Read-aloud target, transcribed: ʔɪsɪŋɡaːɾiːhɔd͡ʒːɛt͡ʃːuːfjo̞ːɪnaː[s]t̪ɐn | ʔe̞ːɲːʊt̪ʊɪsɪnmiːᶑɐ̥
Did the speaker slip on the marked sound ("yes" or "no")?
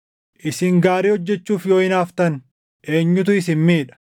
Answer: yes